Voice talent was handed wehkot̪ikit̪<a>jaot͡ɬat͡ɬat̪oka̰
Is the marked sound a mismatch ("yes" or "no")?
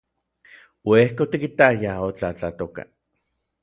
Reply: no